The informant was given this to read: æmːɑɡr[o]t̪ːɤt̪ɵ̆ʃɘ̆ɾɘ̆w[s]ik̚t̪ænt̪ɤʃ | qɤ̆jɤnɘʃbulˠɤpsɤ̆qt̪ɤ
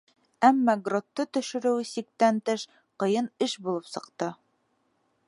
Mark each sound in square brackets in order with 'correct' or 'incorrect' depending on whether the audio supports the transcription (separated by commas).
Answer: correct, correct